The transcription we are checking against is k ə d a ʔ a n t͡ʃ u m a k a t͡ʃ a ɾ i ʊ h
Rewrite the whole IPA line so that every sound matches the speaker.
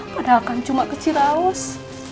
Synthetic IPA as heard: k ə d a k a n t͡ʃ u m a k ə t͡ʃ i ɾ a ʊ s